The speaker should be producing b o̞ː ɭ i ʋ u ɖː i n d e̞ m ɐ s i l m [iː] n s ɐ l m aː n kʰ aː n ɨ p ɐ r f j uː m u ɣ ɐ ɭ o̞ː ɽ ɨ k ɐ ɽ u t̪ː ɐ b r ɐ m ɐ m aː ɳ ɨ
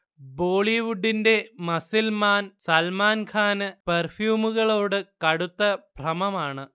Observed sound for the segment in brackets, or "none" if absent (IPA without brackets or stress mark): aː